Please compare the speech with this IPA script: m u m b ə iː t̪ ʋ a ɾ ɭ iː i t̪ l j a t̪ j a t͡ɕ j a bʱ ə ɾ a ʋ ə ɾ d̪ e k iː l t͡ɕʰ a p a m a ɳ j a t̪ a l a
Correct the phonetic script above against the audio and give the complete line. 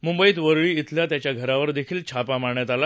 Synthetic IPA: m u m b ə iː t̪ ʋ ə ɾ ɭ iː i t̪ l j a t̪ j a t͡ɕ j a ɡʱ ə ɾ a ʋ ə ɾ d̪ e kʰ iː l t͡ɕʰ a p a m a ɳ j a t̪ a l a

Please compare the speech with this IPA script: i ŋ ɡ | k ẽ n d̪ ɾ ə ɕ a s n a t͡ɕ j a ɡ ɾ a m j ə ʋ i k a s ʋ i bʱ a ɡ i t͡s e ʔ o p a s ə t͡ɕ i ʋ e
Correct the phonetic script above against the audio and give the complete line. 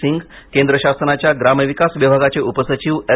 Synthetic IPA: i ŋ ɡ | k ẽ n d̪ ɾ ə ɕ a s n a t͡ɕ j a ɡ ɾ a m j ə ʋ i k a s ʋ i bʱ a ɡ a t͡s e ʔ u p ə s ə t͡ɕ i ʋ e

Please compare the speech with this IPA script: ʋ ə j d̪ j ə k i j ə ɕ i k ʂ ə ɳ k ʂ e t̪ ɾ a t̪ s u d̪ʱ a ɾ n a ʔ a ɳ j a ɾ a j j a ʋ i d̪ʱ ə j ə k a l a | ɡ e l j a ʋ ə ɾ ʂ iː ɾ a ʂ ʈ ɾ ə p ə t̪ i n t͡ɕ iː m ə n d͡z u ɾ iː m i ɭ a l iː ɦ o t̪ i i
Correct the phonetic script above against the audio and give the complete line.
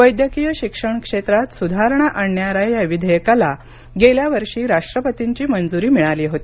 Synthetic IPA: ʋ ə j d̪ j ə k i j ə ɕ i k ʂ ə ɳ k ʂ e t̪ ɾ a t̪ s u d̪ʱ a ɾ ɳ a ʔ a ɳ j a ɾ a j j a ʋ i d̪ʱ ə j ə k a l a | ɡ e l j a ʋ ə ɾ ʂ iː ɾ a ʂ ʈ ɾ ə p ə t̪ i ɲ t͡ɕ iː m ə n d͡z u ɾ iː m i ɭ a l iː ɦ o t̪ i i

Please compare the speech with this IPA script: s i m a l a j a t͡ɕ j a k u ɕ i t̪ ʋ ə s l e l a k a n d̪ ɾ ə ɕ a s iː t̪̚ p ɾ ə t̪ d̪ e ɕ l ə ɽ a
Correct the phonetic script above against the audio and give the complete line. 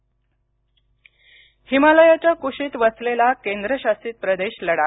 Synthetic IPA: h i m a l ə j a t͡ɕ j a k u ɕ iː t̪ ʋ ə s l e l a k e n d̪ ɾ ə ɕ a s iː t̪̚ p ɾ ə d̪ e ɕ l ə ɽ a

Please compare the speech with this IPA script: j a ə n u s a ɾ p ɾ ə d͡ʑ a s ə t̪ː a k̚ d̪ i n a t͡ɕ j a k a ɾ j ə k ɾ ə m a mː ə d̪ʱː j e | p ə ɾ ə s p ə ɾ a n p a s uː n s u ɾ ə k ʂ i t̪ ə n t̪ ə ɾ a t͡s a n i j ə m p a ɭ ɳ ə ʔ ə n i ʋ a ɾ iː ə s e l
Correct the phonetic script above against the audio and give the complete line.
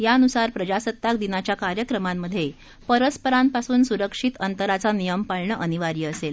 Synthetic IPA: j a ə n u s a ɾ p ɾ ə d͡ʑ a s ə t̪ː a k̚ d̪ i n a t͡ɕ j a k a ɾ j ə k ɾ ə m a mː ə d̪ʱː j e | p ə ɾ ə s p ə ɾ a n p a s uː n s u ɾ ə k ʂ i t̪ ə n t̪ ə ɾ a t͡s a n i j ə m p a ɭ ɳ ə ʔ ə n i ʋ a ɾ iː ə s e l

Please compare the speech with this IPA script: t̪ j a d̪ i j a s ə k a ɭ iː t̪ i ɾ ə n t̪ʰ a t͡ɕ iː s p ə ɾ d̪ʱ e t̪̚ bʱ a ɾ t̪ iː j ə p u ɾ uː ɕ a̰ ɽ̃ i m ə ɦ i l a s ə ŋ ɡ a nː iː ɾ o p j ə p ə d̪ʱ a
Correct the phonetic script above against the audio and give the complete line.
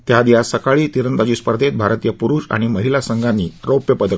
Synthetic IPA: t̪ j a d̪ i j a s ə k a ɭ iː t̪ i ɾ ə n t̪ a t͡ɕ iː s p ə ɾ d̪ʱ e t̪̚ bʱ a ɾ t̪ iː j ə p u ɾ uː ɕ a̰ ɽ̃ i m ə ɦ i l a s ə ŋ ɡ a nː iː ɾ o p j ə p ə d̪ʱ ə

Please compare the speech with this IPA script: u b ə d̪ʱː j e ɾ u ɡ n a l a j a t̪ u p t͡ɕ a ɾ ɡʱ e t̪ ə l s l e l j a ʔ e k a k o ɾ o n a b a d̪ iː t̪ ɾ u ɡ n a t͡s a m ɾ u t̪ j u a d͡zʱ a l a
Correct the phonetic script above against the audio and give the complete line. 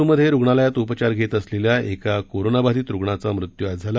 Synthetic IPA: u m ə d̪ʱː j e ɾ u ɡ ɳ a l a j a t̪ u p t͡ɕ a ɾ ɡʱ e t̪ ə s l e l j a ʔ e k a k o ɾ o n a b a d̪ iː t̪ ɾ u ɡ ɳ a t͡s a m ɾ u t̪ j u a d͡zʱ a l a

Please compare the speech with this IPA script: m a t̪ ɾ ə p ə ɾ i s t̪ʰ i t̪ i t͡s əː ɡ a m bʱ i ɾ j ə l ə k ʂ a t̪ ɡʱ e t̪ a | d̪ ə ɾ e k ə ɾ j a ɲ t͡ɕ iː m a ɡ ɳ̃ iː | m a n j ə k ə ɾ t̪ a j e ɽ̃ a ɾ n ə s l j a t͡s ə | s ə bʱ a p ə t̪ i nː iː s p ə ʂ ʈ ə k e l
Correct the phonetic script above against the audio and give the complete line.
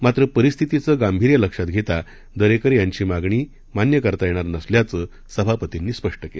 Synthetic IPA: m a t̪ ɾ ə p ə ɾ i s t̪ʰ i t̪ i t͡s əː ɡ a m bʱ i ɾ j ə l ə k ʂ a t̪ ɡʱ e t̪ a | d̪ ə ɾ e k ə ɾ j a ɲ t͡ɕ iː m a ɡ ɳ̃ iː | m a n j ə k ə ɾ t̪ a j e ɽ̃ a ɾ n ə s l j a t͡s ə | s ə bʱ a p ə t̪ i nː iː s p ə ʂ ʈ ə k e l

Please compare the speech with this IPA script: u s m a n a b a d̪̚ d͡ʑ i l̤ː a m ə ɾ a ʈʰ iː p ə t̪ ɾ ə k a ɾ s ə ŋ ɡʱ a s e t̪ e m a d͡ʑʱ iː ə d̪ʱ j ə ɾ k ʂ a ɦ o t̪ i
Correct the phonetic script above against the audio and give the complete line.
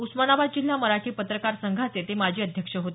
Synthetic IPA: u s m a n a b a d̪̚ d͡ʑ i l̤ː a m ə ɾ a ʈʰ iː p ə t̪ ɾ ə k a ɾ s ə ŋ ɡʱ a t͡s e t̪ e m a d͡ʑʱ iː ə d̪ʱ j ə k ʂ ə ɦ o t̪ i

